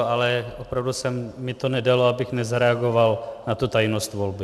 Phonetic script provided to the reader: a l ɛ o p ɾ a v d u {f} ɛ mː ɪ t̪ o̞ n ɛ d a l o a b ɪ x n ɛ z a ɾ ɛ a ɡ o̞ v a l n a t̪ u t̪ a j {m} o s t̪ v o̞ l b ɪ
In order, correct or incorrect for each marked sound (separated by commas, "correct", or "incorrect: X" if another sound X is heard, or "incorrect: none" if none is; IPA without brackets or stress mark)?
incorrect: s, incorrect: n